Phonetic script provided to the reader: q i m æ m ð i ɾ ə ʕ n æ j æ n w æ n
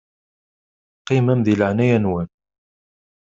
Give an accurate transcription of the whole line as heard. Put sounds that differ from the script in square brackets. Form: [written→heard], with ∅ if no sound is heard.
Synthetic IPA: q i m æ m ð i [ɾ→l] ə ʕ n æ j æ n w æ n